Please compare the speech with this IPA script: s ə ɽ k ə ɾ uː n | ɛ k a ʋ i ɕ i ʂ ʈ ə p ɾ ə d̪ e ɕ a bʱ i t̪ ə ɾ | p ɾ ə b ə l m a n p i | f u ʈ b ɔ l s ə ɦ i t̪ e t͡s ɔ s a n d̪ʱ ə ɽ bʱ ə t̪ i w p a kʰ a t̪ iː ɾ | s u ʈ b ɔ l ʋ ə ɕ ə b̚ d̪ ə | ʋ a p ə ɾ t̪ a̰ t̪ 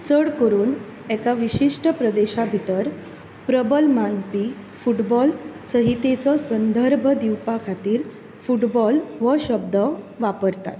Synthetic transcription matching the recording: t͡s ə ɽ k ə ɾ uː n | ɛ k a ʋ i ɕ i ʂ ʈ ə p ɾ ə d̪ e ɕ a bʱ i t̪ ə ɾ | p ɾ ə b ə l m a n p i | f u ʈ b ɔ l s ə ɦ i t̪ e t͡s ɔ s ə n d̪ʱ ə ɾ bʱ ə d̪ i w p a kʰ a t̪ iː ɾ | f u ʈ b ɔ l ʋ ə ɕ ə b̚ d̪ ə | ʋ a p ə ɾ t̪ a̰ t̪